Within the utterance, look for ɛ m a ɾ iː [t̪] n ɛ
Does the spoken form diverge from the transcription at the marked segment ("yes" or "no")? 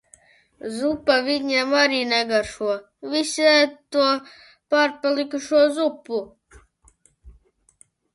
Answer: yes